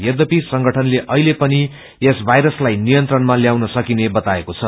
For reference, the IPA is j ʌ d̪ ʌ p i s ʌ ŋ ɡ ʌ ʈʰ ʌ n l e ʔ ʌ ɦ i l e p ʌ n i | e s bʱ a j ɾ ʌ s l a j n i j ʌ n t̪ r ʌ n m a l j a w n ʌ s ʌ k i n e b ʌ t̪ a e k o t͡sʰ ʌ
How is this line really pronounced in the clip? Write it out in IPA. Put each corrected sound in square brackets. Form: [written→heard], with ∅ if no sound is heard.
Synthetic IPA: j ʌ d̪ ʌ p i s ʌ ŋ ɡ ʌ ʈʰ ʌ n l e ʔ ʌ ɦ i l e p ʌ n i | e s bʱ a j ɾ ʌ s l a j n i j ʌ n t̪ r ʌ n m a l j a w n ʌ s ʌ k i n e b ʌ t̪ a e k o t͡sʰ ʌ